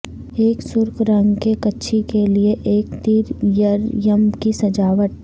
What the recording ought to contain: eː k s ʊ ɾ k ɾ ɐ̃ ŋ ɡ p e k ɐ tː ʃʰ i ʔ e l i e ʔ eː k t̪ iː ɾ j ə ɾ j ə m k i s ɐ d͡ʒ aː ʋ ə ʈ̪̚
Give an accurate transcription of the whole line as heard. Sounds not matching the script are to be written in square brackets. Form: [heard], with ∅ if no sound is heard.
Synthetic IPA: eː k s ʊ ɾ k ɾ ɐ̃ ŋ ɡ [k] e k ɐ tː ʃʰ i [k] e l i e ʔ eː k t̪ iː ɾ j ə ɾ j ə m k i s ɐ d͡ʒ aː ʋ ə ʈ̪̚